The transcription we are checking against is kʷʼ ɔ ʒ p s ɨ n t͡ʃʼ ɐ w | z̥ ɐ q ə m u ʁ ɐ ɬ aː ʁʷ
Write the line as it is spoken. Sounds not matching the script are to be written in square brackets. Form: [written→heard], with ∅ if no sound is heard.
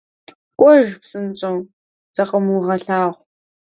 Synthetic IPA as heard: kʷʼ ɔ ʒ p s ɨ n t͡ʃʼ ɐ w | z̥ ɐ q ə m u ʁ ɐ ɬ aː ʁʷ